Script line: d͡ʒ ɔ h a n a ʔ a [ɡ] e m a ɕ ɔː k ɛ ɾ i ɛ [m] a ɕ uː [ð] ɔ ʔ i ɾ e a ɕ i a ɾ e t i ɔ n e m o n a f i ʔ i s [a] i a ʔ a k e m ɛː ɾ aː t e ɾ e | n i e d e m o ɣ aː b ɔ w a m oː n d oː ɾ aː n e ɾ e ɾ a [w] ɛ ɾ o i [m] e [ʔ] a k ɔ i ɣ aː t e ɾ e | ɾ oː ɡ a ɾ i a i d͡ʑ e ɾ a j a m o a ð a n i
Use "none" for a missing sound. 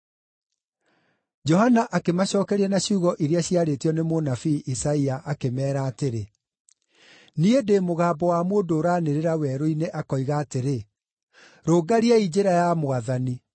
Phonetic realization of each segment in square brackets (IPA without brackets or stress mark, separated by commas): k, n, ɣ, a, w, n, ʔ